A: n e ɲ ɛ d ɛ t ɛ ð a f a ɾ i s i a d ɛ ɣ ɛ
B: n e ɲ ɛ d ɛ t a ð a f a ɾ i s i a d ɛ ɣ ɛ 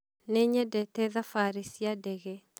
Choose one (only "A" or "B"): A